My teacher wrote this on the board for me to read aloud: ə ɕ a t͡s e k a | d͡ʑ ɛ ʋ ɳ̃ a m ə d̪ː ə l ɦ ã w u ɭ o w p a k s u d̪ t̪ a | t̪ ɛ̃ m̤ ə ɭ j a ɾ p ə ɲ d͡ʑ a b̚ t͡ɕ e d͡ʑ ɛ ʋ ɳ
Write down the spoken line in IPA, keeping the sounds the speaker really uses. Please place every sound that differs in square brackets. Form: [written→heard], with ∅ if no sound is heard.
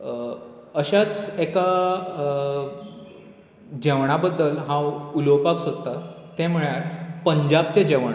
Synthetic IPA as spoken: ə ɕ a t͡s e k a | d͡ʑ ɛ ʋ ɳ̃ a [m→b] ə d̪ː ə l ɦ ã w u [ɭ→l] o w p a k s [u→o] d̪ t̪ a | t̪ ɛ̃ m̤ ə ɭ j a ɾ p ə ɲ d͡ʑ a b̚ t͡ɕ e d͡ʑ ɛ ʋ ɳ